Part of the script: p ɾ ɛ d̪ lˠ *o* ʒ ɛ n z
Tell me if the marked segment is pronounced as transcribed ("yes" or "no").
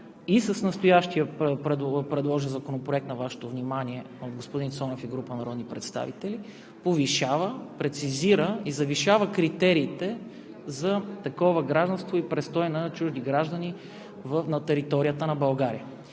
no